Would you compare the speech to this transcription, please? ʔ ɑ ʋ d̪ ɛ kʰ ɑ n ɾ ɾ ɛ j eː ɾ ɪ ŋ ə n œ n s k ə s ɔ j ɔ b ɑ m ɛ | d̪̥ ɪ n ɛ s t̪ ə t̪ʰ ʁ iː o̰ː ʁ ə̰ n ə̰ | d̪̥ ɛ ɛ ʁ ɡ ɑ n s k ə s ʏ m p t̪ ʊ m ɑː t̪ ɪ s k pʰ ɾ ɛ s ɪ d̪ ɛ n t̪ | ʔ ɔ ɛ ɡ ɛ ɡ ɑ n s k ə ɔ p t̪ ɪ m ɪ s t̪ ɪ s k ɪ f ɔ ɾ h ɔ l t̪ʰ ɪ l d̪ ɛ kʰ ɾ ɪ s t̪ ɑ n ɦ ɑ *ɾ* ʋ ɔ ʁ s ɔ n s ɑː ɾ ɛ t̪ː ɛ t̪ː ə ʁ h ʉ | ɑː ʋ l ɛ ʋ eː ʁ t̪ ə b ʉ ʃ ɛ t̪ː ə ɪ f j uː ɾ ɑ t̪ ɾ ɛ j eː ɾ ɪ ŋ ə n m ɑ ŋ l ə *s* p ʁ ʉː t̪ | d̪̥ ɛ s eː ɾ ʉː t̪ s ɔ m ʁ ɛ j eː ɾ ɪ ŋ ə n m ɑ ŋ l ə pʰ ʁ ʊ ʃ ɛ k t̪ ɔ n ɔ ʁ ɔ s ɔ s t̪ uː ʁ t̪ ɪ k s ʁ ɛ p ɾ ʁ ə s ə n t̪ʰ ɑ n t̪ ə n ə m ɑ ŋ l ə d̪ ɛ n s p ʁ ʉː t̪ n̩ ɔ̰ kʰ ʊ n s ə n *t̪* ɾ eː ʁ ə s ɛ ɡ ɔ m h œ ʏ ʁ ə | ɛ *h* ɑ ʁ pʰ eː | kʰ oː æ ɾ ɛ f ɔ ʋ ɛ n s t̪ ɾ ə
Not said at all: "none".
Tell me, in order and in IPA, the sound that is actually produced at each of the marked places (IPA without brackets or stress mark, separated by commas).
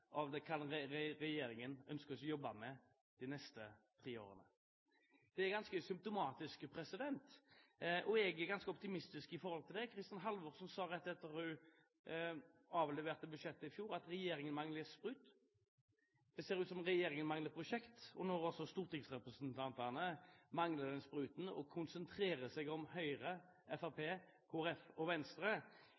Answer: l, s, t̪ʰ, f